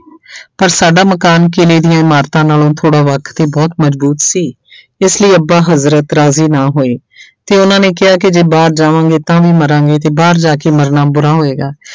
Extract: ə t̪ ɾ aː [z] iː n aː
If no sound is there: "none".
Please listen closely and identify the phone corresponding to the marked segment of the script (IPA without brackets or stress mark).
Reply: z